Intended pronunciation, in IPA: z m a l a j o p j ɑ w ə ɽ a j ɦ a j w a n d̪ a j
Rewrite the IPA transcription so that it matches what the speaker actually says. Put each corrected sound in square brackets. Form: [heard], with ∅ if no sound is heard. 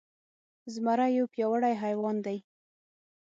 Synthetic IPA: z m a [ɾ] a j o p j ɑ w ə ɽ a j ɦ a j w [ɑ] n d̪ a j